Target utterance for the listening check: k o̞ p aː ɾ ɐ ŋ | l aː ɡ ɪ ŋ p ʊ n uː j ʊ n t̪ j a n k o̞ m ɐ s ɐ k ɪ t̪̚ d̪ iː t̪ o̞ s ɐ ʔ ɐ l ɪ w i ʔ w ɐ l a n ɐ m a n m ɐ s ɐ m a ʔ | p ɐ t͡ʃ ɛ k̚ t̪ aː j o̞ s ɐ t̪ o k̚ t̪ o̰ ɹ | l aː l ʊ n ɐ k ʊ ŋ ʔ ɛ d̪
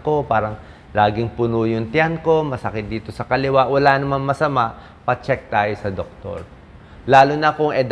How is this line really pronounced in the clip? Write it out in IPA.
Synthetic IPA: k o̞ p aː ɾ ɐ ŋ | l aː ɡ ɪ ŋ p ʊ n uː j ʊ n t̪ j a n k o̞ m ɐ s ɐ k ɪ t̪̚ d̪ iː t̪ o̞ s ɐ k ɐ l ɪ w a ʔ w ɐ l a n ɐ m a n m ɐ s ɐ m a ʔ | p ɐ t͡ʃ ɛ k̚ t̪ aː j o̞ s ɐ d̪ o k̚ t̪ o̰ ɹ | l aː l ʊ n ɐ k ʊ ŋ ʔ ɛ d̪